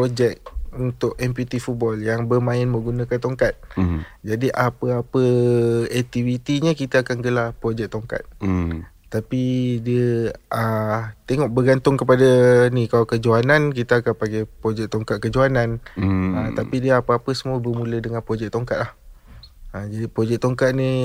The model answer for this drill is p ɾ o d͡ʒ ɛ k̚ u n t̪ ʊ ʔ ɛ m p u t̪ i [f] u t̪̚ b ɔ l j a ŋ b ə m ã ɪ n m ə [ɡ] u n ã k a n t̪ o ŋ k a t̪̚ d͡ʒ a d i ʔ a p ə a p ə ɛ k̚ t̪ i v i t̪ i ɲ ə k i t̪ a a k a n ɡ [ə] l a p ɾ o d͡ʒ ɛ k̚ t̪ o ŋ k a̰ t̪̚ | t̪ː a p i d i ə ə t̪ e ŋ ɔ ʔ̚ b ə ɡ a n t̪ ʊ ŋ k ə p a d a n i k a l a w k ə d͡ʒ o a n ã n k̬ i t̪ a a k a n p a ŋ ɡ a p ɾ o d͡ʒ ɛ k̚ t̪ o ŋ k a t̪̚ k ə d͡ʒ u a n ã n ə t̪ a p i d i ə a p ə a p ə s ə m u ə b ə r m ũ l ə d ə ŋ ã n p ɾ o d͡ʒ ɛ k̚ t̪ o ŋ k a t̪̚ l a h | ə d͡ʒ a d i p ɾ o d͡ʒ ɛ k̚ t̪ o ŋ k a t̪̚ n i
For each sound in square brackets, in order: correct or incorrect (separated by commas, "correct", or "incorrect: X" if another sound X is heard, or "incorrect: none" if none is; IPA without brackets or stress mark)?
correct, correct, correct